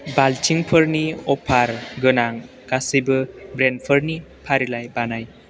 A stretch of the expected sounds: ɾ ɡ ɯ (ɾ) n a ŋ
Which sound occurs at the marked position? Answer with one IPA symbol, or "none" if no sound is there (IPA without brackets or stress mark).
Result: none